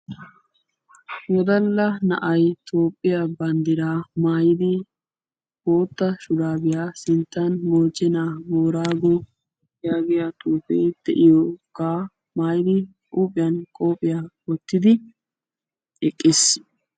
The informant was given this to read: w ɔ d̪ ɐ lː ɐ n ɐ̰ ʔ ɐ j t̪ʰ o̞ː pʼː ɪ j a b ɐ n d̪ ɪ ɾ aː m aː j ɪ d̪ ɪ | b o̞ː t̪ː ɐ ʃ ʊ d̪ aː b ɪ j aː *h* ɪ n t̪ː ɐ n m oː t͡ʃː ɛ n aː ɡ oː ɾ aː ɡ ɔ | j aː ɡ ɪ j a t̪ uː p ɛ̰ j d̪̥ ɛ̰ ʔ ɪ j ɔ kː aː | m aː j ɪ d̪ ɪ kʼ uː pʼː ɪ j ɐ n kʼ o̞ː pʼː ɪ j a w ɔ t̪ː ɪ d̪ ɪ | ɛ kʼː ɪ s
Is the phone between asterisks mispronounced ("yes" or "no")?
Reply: yes